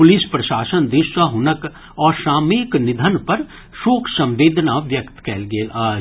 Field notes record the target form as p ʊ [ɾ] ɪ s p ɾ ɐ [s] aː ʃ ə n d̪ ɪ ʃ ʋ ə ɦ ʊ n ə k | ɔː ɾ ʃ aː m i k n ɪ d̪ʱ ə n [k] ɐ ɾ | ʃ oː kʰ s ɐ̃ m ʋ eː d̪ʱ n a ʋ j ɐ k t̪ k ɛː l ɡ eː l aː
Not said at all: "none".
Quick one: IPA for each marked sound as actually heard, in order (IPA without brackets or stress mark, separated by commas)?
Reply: l, ʃ, p